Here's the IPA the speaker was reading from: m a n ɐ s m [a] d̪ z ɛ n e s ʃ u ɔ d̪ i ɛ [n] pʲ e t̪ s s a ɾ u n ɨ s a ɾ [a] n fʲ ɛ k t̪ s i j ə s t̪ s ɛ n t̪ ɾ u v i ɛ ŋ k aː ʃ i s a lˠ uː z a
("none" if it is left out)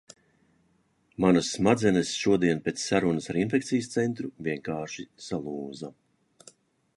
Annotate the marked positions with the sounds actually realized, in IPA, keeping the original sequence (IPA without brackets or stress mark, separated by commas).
a, n, i